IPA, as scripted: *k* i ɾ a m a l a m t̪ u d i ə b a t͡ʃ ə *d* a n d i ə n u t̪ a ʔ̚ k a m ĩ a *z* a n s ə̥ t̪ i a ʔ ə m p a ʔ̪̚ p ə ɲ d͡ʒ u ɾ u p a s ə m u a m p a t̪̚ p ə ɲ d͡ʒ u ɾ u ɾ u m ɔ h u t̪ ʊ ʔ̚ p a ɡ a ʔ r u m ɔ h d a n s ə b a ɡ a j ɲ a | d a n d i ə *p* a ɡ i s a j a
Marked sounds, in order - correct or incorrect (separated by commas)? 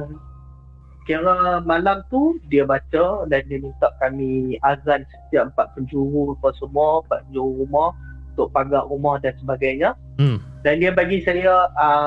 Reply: correct, correct, correct, incorrect